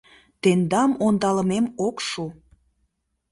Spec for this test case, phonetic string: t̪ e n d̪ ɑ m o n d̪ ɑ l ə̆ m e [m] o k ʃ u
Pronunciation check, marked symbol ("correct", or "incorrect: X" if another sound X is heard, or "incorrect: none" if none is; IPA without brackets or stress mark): correct